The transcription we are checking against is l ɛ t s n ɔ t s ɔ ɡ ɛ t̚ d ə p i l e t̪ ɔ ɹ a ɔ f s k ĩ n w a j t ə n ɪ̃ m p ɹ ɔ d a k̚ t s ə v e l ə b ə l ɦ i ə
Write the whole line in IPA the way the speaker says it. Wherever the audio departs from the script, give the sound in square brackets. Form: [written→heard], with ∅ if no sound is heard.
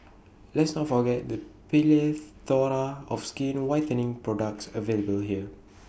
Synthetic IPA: l ɛ t s n ɔ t [s→f] ɔ ɡ ɛ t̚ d ə p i l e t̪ ɔ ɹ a ɔ f s k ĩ n w a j t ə n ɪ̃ [m→ŋ] p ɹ ɔ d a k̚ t s ə v e l ə b ə l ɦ i ə